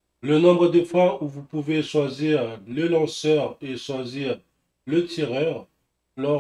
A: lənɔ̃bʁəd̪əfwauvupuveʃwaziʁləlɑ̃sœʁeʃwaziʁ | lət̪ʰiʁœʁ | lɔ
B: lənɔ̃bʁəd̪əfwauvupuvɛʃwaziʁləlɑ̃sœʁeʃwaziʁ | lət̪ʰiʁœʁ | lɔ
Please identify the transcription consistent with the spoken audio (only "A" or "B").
A